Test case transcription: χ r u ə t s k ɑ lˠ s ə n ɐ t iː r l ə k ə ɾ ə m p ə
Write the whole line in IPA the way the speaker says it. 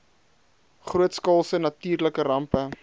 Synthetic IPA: χ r u ə t s k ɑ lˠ s ə n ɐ t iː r l ə k ə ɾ ɐ m p ə